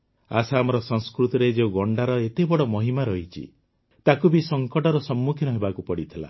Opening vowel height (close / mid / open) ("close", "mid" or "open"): open